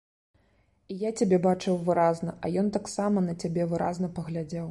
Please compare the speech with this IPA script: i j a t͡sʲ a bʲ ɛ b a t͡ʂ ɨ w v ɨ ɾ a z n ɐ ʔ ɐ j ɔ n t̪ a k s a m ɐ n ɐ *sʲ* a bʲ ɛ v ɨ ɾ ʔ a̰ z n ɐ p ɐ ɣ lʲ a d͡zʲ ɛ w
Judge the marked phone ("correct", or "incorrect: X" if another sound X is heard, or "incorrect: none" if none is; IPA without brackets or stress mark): incorrect: t͡sʲ